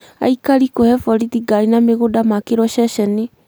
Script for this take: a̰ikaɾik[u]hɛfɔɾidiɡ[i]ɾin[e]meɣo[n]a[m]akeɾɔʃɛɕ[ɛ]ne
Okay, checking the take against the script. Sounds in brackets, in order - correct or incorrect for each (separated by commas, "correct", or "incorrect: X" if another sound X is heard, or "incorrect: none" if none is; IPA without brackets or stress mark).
incorrect: o, incorrect: a, incorrect: a, incorrect: d, correct, correct